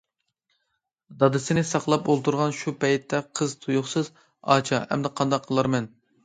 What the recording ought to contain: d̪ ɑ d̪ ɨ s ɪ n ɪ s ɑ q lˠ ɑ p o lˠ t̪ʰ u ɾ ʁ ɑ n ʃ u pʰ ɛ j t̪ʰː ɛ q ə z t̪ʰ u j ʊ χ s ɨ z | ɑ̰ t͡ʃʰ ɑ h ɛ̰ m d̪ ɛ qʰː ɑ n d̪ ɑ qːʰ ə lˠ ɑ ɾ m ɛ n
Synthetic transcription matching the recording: d̪ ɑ d̪ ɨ s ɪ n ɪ s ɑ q lˠ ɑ p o lˠ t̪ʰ u ɾ ʁ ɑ n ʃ u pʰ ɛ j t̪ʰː ɛ qʰ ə z t̪ʰ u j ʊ χ s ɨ z | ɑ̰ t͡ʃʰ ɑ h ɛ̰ m d̪ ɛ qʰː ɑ n d̪ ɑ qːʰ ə lˠ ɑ ɾ m ɛ n